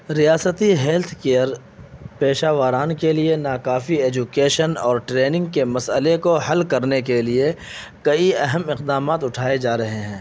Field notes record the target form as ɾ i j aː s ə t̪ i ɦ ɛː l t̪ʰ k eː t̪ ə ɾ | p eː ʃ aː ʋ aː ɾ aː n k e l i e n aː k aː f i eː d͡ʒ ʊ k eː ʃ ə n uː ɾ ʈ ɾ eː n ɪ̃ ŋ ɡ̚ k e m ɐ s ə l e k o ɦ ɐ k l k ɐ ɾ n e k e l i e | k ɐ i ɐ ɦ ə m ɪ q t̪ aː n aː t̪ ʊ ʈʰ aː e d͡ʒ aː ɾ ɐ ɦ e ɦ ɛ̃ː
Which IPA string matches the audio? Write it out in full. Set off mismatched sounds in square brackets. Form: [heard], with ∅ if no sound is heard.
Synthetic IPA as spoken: ɾ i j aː s ə t̪ i ɦ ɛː l t̪ʰ k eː [∅] ə ɾ | p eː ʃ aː ʋ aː ɾ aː n k e l i e n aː k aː f i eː d͡ʒ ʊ k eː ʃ ə n [ɔː] ɾ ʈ ɾ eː n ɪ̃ ŋ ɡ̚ k e m ɐ s ə l e k o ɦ ɐ [∅] l k ɐ ɾ n e k e l i e | k ɐ i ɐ ɦ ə m ɪ q [d̪] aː [m] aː t̪ ʊ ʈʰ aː e d͡ʒ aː ɾ ɐ ɦ e ɦ ɛ̃ː